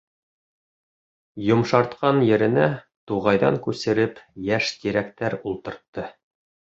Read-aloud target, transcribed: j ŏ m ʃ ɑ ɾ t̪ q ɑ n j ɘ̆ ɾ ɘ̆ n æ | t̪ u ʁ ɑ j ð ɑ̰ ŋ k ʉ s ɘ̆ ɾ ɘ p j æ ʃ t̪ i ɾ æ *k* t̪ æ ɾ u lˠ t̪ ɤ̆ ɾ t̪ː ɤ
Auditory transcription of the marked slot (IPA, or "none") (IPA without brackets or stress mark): k